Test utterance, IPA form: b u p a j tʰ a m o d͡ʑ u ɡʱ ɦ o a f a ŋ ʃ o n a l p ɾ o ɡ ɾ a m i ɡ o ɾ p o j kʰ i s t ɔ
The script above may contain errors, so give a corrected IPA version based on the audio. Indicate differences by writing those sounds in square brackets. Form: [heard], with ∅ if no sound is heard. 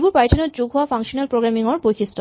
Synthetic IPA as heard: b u p a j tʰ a [n] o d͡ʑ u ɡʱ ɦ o a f a ŋ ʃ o n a l p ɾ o ɡ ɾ a m i [ŋ] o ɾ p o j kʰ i s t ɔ